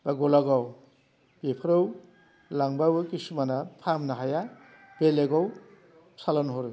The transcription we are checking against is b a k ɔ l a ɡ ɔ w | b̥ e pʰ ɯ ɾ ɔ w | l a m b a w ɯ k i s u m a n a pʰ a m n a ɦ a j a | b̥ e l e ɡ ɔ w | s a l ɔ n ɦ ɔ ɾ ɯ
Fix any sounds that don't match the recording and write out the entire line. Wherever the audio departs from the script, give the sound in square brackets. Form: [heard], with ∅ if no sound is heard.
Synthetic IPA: b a [ɡ] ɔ l a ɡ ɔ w | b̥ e pʰ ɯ ɾ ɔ w | l a [ŋ] b a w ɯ k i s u m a n a pʰ a m n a ɦ a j a | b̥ e l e ɡ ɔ w | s a l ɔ n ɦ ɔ ɾ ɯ

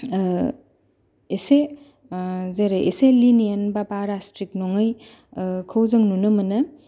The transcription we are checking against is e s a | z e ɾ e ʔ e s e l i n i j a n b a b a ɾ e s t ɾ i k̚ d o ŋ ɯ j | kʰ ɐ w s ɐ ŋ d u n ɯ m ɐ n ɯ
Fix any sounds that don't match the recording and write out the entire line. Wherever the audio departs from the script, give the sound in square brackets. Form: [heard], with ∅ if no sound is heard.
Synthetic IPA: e s [e] | z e ɾ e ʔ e s e l i n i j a n b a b a ɾ [a] s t ɾ i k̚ [n] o ŋ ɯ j | kʰ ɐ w [z] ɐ ŋ [n] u n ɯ m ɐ n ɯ

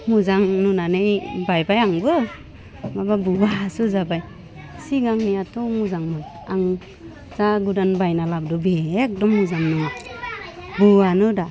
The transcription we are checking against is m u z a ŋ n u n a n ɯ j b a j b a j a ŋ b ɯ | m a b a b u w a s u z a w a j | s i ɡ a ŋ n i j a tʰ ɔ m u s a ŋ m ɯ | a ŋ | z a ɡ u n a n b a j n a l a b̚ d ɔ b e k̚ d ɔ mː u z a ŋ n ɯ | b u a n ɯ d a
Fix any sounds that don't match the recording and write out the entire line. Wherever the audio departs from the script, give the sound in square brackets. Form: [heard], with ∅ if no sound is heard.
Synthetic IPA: m u z a ŋ n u n a n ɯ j b a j b a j a ŋ b ɯ | m a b a b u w a s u z a [b] a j | s i ɡ a ŋ n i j a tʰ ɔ m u [z] a ŋ m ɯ | a ŋ | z a ɡ u [d] a n b a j n a l a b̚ d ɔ b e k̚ d ɔ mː u z a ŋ n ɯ | b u a n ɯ d a

